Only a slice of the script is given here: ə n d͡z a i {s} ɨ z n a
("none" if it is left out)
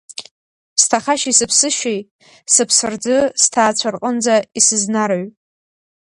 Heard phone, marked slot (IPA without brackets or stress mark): s